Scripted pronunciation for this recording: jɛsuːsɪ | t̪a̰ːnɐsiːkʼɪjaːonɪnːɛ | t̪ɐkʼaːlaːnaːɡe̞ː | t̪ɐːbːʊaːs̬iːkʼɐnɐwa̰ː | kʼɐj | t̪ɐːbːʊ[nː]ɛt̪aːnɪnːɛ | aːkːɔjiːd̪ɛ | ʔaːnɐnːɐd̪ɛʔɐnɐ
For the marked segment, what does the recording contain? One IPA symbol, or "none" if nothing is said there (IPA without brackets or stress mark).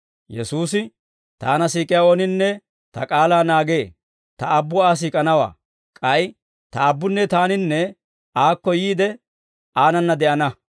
nː